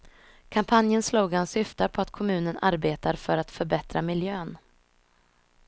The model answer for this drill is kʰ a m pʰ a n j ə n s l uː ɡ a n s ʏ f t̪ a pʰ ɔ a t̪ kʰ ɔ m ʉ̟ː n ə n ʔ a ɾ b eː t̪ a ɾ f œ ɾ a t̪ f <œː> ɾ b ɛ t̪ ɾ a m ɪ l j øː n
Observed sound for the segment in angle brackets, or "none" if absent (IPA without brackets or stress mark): œ